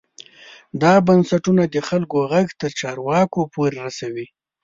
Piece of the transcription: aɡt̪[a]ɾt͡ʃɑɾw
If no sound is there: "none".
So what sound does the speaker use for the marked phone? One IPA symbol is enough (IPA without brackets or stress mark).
ə